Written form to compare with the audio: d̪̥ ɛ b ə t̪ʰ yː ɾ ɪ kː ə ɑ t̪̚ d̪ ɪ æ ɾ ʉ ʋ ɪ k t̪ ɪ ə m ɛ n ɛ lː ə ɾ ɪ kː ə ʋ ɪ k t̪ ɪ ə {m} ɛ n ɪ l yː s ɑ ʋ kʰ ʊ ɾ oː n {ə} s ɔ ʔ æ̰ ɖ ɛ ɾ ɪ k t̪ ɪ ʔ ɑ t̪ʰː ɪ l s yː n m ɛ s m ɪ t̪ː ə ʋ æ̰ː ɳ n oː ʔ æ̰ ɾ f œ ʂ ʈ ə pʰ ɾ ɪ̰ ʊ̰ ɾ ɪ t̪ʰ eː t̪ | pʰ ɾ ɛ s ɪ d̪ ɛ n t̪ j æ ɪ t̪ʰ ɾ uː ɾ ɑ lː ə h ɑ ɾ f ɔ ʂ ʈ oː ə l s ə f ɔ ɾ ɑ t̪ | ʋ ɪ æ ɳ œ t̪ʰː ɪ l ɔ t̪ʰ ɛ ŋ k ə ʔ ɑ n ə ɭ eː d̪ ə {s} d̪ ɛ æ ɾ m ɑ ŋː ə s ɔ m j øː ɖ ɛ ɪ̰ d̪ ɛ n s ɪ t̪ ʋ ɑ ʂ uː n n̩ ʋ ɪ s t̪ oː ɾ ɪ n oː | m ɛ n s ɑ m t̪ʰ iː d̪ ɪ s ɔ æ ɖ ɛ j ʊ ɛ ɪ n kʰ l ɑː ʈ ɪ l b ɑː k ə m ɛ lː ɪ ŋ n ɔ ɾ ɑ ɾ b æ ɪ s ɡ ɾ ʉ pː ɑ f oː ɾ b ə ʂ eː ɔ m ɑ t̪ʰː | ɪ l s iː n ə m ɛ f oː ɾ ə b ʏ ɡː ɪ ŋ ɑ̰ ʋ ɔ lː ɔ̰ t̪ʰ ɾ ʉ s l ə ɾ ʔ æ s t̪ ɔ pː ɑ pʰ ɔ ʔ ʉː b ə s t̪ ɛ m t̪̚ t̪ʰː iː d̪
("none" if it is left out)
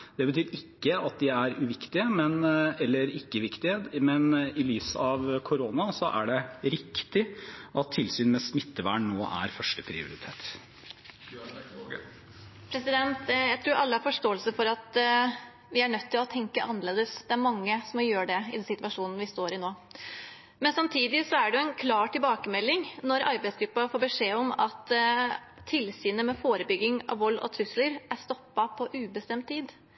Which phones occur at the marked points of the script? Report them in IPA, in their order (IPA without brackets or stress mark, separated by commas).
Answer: m, ɑ, s